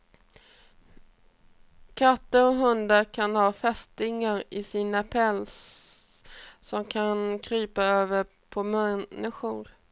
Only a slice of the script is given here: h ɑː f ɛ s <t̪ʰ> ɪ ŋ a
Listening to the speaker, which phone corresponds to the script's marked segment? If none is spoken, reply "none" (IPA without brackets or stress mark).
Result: t̪